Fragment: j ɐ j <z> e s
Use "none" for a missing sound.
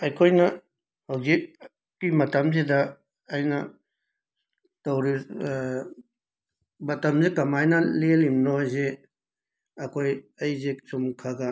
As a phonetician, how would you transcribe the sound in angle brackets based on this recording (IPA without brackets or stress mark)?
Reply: z